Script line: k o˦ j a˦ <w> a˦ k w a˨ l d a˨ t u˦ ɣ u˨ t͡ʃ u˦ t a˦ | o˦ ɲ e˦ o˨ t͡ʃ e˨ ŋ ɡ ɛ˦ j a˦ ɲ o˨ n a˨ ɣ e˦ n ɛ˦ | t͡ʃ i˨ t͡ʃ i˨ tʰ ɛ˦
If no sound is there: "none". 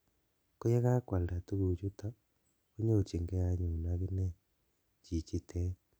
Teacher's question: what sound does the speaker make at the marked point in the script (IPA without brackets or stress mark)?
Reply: ɣ